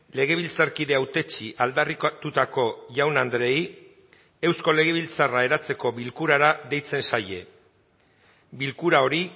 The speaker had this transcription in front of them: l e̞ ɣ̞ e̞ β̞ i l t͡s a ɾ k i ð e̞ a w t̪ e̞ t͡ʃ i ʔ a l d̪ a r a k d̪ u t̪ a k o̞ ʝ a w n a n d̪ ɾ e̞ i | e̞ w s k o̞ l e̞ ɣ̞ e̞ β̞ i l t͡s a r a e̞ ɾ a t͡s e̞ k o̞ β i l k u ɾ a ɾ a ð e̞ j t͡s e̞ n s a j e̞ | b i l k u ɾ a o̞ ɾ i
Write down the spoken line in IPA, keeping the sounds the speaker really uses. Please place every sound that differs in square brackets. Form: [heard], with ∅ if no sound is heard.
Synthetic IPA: l e̞ ɣ̞ e̞ β̞ i l t͡s a ɾ k i ð e̞ a w t̪ e̞ t͡ʃ i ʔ a l d̪ a r [i] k [t̪] u t̪ a k o̞ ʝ a w n a n d̪ ɾ e̞ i | e̞ w s k o̞ l e̞ ɣ̞ e̞ β̞ i l t͡s a r a e̞ ɾ a t͡s e̞ k o̞ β i l k u ɾ a ɾ a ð e̞ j t͡s e̞ n s a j e̞ | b i l k u ɾ a o̞ ɾ i